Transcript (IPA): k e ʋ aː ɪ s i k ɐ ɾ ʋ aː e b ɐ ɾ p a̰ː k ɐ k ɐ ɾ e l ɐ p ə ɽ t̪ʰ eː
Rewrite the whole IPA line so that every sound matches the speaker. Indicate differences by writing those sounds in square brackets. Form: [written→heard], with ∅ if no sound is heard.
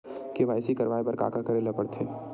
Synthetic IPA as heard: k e ʋ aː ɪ s i k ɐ ɾ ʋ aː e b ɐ ɾ [p→k] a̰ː k [ɐ→a] k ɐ ɾ e l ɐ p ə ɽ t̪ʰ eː

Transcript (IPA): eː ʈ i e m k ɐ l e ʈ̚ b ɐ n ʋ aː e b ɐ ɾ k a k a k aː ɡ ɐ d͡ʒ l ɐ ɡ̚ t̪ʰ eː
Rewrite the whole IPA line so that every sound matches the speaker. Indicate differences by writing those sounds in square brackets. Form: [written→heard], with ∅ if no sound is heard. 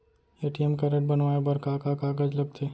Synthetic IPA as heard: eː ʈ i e m k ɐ [l→ɾ] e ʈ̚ b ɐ n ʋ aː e b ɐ ɾ k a k a k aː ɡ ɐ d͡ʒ l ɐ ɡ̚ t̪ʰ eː

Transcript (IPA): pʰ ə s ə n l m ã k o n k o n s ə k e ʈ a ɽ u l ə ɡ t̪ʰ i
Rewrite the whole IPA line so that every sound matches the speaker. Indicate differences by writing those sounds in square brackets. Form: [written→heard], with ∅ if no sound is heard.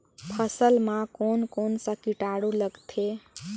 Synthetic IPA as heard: pʰ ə s ə [n→∅] l m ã k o n k o n s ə k [e→i] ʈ a ɽ u l ə ɡ t̪ʰ [i→e]

